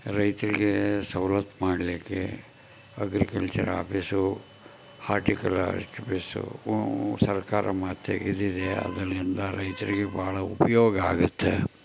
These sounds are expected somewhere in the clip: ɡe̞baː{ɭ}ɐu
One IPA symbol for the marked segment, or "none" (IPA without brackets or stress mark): ɭ